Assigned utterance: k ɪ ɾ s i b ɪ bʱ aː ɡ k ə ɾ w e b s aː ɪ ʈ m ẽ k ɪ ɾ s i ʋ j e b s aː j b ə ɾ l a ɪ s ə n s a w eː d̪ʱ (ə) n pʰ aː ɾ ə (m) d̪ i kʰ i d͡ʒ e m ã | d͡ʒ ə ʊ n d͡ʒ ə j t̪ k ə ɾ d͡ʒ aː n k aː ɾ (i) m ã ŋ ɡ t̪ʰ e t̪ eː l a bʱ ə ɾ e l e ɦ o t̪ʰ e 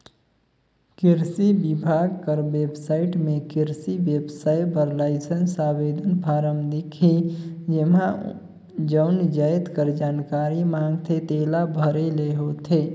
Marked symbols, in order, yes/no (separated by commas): yes, yes, yes